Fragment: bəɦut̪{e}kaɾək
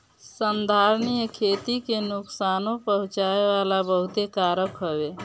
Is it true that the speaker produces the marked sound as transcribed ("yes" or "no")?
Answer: yes